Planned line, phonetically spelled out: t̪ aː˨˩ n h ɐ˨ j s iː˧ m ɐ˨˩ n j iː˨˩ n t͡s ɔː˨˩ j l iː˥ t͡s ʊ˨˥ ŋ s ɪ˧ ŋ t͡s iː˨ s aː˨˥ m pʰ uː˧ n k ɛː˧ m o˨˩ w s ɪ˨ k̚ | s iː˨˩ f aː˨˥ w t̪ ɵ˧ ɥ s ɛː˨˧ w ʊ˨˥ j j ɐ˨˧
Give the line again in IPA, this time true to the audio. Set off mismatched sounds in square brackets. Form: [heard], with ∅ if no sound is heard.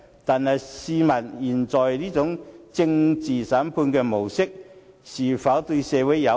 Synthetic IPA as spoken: t̪ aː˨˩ n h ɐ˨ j s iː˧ m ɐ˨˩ n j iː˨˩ n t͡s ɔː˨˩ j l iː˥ t͡s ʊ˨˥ ŋ [t͡s] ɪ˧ ŋ t͡s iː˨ s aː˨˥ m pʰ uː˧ n k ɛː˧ m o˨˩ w s [ɪ˥] k̚ | s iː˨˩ f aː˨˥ w t̪ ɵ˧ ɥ s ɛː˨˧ w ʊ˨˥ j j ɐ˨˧